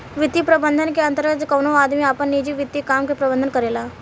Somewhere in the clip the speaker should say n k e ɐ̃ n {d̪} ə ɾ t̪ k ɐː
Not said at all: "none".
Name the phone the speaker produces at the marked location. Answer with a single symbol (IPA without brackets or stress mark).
t̪